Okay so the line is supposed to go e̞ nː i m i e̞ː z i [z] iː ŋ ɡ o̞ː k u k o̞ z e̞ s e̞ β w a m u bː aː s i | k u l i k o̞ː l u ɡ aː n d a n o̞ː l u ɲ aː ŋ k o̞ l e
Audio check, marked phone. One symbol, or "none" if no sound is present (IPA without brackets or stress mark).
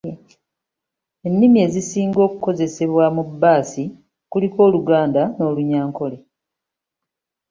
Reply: s